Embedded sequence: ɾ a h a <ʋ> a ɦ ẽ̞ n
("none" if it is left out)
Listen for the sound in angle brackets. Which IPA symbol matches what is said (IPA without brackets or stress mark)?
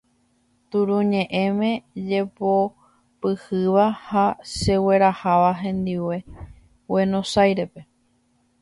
ʋ